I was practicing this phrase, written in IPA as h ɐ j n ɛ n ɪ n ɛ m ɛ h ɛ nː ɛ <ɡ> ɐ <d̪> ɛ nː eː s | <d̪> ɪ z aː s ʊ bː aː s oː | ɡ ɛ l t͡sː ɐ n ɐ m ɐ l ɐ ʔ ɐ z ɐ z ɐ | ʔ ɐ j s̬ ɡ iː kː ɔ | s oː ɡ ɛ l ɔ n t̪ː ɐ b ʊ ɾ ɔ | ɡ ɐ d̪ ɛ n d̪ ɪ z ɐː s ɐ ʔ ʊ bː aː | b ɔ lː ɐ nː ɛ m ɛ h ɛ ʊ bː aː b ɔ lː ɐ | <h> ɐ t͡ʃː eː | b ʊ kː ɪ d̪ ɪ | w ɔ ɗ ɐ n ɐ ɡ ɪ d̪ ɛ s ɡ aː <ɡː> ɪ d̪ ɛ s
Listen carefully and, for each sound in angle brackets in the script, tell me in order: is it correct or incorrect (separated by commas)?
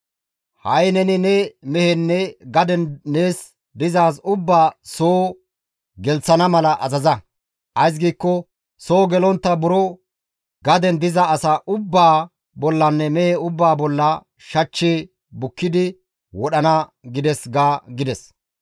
correct, correct, correct, incorrect, incorrect